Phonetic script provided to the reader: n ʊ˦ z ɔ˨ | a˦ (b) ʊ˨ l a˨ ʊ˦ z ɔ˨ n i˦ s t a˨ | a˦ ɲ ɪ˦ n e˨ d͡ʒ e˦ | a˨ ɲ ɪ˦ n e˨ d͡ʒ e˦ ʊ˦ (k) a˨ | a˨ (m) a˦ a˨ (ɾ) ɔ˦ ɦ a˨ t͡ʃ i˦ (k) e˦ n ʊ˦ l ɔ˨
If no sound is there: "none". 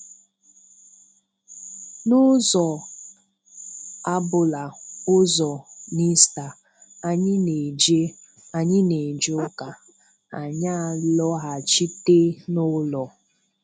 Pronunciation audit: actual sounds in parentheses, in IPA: b, k, ɲ, l, t

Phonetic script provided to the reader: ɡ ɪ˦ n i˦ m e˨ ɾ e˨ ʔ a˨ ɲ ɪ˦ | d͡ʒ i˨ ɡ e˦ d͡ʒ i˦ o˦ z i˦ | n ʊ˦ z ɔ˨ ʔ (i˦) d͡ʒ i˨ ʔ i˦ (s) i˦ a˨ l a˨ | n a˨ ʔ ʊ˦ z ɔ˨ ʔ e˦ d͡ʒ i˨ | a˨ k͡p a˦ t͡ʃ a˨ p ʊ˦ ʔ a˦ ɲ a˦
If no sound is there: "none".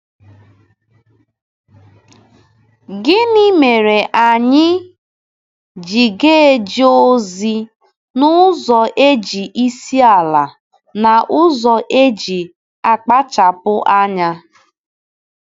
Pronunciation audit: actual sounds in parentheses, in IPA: e˦, s

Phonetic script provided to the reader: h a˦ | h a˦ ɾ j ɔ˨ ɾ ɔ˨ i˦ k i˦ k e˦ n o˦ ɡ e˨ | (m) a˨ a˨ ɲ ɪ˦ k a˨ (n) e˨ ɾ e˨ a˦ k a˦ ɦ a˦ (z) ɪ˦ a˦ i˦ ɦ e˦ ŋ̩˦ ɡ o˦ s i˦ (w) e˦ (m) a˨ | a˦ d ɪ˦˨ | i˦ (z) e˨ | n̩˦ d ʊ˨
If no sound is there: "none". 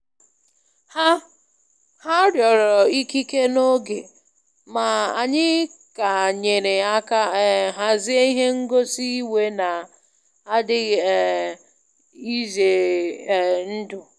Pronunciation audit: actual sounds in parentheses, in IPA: m, ɲ, z, w, n, z

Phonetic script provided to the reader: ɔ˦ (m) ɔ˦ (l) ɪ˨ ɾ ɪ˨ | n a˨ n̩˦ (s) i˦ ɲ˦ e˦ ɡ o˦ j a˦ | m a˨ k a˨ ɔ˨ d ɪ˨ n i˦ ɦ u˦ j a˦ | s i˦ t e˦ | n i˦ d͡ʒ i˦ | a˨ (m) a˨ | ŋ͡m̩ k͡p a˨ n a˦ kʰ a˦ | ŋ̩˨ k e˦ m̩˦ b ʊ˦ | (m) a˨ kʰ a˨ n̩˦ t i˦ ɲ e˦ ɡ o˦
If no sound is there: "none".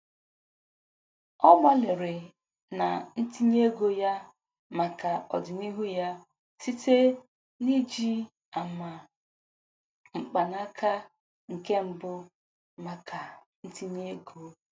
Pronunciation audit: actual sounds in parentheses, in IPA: m, l, t, m, m

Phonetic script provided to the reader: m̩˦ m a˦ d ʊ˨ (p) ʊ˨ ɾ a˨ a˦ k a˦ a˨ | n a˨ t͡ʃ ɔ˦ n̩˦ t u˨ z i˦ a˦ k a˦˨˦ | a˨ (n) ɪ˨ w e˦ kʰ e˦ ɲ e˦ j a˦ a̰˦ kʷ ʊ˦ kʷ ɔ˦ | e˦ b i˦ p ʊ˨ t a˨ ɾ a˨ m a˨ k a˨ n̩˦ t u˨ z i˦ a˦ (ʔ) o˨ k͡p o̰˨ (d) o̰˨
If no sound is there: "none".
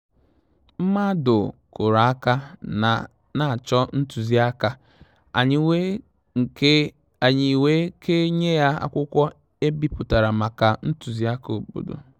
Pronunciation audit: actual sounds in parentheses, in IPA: k, ɲ, k, d

